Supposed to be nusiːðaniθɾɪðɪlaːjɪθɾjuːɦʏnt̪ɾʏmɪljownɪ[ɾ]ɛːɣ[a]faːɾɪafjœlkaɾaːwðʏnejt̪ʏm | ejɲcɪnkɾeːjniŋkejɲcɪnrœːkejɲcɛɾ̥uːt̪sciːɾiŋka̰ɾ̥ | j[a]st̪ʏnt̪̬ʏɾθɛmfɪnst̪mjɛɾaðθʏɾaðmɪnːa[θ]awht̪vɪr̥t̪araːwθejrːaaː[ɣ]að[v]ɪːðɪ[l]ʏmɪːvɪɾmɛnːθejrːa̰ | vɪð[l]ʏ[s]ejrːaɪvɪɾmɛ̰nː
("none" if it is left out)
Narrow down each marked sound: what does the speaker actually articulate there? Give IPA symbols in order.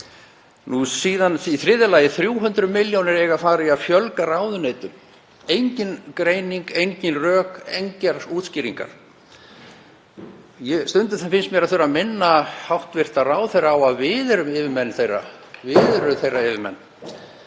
ɾ, a, ɛ, h, w, v, ɾ, ɾ, θ

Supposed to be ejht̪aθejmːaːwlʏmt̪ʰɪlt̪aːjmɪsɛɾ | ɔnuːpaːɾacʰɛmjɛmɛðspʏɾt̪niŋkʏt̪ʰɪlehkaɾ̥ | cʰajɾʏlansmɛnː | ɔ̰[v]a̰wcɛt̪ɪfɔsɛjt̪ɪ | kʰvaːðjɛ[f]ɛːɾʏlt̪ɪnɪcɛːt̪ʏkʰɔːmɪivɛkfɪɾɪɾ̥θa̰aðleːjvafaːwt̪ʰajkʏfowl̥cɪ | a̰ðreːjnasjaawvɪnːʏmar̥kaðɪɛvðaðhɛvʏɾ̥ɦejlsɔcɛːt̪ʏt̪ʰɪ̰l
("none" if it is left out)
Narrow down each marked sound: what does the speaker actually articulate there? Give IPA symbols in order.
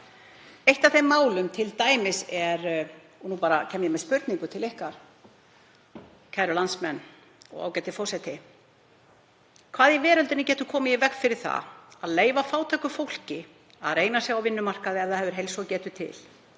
ɣ, v

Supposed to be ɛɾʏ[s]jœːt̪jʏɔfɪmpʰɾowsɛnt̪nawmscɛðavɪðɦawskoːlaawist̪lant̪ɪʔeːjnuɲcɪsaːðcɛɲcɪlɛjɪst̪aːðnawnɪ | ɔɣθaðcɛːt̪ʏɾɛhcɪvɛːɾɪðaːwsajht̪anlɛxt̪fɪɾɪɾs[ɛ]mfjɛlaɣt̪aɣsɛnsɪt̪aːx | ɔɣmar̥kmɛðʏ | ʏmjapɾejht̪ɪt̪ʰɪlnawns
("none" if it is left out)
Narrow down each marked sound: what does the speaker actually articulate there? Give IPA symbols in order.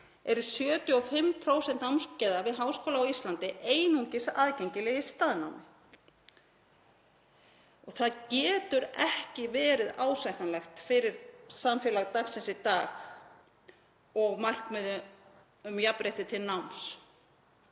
s, a

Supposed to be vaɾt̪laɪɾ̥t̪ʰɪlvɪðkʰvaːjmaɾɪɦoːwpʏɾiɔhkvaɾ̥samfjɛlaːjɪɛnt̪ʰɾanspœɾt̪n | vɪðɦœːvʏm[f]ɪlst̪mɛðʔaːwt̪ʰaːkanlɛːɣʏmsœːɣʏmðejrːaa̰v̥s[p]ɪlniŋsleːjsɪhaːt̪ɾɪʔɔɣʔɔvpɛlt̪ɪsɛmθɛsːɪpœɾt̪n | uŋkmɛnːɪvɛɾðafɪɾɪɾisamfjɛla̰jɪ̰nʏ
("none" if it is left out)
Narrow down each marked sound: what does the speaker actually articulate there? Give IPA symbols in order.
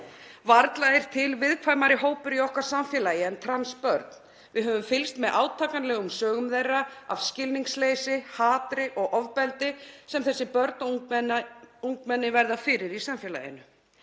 f, c

